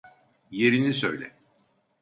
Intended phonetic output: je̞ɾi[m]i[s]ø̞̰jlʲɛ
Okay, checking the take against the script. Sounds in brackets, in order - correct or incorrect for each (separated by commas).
incorrect, correct